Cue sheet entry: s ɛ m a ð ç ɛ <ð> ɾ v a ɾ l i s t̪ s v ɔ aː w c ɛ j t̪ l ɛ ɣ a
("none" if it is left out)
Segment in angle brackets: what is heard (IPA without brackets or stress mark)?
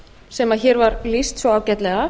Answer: none